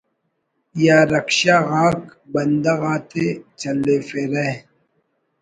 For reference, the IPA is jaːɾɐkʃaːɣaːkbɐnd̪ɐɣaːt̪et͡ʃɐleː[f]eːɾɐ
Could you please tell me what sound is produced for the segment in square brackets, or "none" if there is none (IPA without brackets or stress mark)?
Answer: f